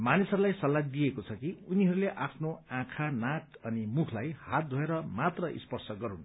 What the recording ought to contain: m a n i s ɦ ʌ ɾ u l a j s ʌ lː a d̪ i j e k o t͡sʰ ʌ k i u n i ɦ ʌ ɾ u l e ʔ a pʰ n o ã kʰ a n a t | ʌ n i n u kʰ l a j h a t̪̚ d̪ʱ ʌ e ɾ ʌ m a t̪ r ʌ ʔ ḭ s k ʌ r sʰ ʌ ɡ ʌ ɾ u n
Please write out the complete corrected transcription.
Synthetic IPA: m a n i s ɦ ʌ ɾ u l a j s ʌ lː a d̪ i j e k o t͡sʰ ʌ k i u n i ɦ ʌ ɾ u l e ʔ a pʰ n o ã kʰ a n a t | ʌ n i m u kʰ l a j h a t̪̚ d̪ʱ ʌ e ɾ ʌ m a t̪ r ʌ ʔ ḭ s p ʌ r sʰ ʌ ɡ ʌ ɾ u n